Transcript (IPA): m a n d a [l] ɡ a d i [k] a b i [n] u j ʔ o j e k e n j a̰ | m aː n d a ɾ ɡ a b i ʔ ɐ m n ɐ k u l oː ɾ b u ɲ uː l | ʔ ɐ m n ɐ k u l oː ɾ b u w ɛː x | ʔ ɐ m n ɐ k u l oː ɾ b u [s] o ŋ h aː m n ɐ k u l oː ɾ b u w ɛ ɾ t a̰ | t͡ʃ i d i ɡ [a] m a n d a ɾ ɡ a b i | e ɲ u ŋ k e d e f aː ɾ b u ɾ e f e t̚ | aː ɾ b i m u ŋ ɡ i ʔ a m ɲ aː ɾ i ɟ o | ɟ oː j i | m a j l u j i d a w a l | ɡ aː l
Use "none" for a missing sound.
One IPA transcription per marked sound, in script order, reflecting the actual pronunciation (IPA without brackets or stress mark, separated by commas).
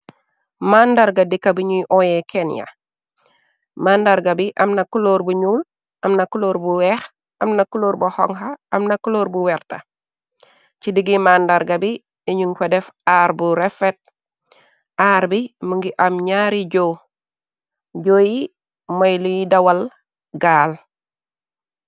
ɾ, k, ɲ, h, i